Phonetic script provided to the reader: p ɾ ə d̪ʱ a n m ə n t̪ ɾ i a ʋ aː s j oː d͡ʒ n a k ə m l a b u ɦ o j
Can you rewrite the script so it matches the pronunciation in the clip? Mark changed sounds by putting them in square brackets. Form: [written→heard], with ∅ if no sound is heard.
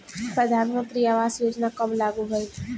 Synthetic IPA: p ɾ ə d̪ʱ a n m ə n t̪ ɾ i a ʋ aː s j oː d͡ʒ n a k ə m l a [b→ɡ] u ɦ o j